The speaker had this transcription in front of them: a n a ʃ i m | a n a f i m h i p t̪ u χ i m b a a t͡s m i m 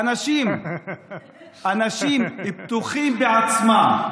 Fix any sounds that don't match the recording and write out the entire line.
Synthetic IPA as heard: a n a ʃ i m | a n a ʃ i m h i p t̪ u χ i m b e a t͡s m a m